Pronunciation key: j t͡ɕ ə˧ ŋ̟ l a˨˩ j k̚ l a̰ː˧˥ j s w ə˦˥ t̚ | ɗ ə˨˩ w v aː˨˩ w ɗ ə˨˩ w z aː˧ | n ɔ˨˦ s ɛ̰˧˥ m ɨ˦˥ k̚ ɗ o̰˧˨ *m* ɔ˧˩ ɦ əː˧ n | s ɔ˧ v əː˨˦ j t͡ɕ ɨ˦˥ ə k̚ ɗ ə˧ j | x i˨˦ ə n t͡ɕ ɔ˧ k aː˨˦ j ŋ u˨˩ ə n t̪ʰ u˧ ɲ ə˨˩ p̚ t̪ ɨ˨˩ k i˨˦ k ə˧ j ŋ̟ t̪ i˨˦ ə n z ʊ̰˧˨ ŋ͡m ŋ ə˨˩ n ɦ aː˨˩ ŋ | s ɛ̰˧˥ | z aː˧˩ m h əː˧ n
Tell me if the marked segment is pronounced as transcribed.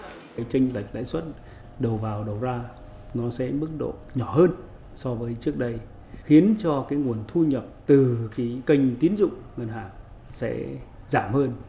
no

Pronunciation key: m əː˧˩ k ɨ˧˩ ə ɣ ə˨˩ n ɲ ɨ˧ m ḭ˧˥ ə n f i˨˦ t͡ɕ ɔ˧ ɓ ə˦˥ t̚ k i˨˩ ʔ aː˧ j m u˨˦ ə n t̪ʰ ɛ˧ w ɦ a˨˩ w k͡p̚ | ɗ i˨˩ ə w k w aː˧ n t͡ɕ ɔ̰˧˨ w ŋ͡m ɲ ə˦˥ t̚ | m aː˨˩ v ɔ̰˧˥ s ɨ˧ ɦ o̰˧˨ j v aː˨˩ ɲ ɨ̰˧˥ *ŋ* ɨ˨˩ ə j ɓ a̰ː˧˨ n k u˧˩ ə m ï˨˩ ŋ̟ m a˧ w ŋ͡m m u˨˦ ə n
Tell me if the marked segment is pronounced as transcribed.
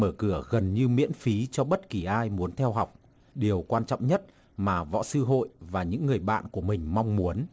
no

